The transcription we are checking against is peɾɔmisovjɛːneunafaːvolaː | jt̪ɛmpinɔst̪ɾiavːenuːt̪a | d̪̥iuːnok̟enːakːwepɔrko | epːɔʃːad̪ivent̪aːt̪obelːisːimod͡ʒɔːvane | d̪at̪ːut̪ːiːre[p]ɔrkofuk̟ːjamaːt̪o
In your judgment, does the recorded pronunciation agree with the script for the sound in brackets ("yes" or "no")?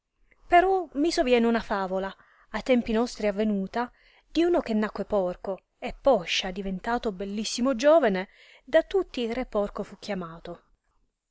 yes